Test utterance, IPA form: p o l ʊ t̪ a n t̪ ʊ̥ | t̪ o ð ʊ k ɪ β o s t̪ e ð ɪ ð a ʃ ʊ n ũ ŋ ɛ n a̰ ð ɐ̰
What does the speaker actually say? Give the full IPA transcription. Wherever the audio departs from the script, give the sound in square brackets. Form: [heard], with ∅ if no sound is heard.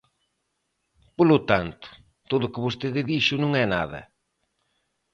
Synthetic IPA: p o l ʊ t̪ a n t̪ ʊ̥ | t̪ o ð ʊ k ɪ β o s t̪ e ð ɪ ð [i] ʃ ʊ n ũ ŋ ɛ n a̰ ð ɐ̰